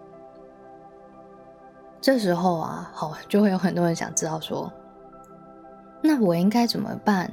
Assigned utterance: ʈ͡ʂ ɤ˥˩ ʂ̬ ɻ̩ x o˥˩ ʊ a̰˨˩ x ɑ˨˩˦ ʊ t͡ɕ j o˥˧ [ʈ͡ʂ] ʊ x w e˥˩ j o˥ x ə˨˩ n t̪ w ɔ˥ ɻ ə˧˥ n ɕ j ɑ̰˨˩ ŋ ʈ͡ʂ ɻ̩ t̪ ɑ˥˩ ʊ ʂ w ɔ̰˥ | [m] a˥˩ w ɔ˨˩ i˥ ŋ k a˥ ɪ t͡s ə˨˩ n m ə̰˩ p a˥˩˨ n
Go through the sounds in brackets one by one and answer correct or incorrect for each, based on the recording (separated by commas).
incorrect, incorrect